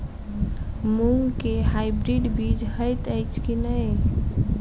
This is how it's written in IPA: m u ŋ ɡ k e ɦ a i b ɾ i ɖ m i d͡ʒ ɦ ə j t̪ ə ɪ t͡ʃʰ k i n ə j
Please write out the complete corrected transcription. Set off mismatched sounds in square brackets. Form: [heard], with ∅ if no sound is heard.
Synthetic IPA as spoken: m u ŋ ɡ k e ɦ a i b ɾ i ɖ [b] i d͡ʒ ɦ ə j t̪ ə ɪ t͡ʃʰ k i n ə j